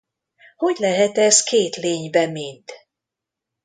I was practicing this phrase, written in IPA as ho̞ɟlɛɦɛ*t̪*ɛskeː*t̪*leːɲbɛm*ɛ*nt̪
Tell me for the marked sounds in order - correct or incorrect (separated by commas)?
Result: correct, correct, incorrect